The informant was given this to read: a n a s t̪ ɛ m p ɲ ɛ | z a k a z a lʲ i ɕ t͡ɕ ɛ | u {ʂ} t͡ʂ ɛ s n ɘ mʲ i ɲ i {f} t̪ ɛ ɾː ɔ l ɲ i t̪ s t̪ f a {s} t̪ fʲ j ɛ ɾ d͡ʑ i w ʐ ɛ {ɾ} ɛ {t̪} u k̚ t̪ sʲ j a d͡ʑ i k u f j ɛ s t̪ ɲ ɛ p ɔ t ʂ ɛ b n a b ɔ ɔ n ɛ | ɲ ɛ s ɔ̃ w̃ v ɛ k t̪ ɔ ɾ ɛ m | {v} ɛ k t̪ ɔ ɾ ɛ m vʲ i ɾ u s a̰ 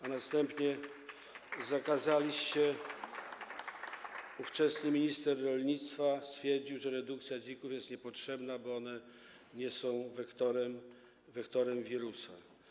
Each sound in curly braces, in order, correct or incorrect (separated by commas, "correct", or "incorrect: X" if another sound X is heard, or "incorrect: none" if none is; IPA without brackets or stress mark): incorrect: f, incorrect: s, correct, correct, incorrect: d̪, correct